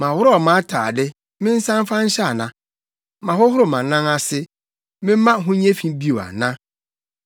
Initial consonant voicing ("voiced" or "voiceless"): voiced